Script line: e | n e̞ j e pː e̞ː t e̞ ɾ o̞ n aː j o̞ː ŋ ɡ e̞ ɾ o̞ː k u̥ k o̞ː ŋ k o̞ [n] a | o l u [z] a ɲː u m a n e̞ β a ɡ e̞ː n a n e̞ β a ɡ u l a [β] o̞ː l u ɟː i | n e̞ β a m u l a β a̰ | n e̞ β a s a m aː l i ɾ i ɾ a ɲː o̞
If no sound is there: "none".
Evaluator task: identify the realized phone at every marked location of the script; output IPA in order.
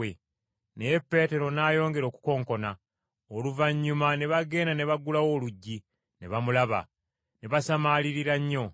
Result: n, v, w

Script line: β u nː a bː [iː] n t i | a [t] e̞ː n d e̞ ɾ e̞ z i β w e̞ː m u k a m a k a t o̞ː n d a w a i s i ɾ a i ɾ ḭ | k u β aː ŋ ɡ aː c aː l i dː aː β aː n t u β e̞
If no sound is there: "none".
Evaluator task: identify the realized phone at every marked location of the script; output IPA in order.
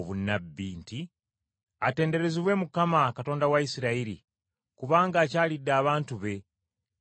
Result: iː, t

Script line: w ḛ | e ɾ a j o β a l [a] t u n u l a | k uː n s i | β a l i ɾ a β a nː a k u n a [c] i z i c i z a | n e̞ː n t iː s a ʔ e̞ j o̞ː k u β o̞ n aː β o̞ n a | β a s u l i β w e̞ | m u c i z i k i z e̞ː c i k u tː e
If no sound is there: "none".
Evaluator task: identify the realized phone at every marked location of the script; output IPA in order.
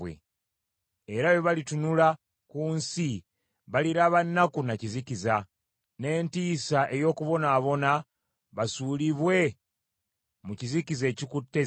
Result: i, c

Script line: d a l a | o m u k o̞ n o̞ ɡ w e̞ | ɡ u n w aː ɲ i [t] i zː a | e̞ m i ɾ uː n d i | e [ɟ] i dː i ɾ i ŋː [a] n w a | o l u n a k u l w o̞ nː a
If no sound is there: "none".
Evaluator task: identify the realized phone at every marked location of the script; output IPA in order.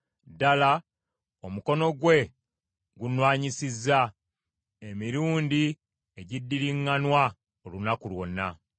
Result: s, ɟ, a

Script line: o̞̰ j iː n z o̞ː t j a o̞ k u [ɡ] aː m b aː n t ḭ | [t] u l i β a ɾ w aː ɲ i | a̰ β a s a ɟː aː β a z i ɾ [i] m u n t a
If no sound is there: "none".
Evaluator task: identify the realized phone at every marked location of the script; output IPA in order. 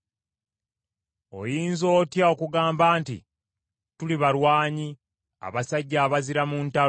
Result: ɡ, t, a

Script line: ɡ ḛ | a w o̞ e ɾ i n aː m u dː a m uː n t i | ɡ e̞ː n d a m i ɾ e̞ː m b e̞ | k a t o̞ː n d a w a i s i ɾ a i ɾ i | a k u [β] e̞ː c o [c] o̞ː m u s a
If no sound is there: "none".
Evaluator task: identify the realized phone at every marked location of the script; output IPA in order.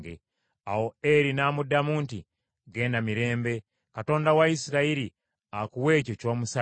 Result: w, c

